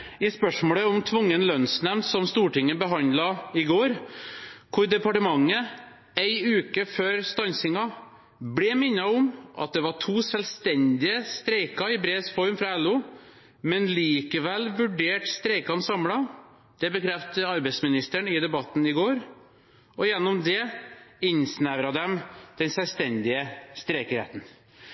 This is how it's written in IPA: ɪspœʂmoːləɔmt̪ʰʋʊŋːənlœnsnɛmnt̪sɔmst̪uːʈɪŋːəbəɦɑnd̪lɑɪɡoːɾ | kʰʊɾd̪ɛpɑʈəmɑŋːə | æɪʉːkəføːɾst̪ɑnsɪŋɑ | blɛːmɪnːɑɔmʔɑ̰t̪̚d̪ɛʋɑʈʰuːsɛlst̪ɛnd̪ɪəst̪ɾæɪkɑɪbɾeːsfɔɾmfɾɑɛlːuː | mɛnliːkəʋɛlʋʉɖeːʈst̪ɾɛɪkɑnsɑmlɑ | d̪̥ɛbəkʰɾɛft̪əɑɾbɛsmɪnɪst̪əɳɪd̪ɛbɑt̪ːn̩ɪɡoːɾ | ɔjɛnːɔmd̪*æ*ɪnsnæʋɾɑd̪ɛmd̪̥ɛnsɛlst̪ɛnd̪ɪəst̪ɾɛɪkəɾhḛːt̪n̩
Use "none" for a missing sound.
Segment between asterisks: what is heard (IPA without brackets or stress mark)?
ɛ